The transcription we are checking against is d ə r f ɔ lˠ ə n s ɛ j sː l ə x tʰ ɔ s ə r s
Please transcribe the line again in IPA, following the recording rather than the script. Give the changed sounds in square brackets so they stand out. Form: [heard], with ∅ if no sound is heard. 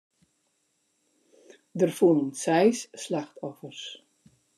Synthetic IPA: d ə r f [u] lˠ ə n s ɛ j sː l [a] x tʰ ɔ [f] ə r s